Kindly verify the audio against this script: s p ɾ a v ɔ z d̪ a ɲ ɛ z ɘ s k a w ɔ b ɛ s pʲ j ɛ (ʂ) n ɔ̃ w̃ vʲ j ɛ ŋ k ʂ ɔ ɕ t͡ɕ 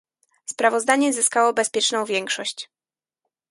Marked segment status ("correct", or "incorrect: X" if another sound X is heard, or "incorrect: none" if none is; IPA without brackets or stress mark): incorrect: t͡ʂ